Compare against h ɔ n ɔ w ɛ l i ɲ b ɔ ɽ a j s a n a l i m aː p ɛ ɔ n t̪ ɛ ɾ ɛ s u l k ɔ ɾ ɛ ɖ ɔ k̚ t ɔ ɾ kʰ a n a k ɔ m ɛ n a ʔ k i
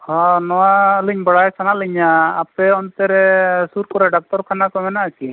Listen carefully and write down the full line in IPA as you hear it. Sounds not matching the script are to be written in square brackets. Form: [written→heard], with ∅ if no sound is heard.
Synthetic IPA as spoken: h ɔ n ɔ w [ɛ→a] l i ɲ b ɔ ɽ a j s a n a l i [m→ɲ] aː p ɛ ɔ n t̪ ɛ ɾ ɛ s u [l→ɾ] k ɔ ɾ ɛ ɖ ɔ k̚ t ɔ ɾ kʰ a n a k ɔ m ɛ n a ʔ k i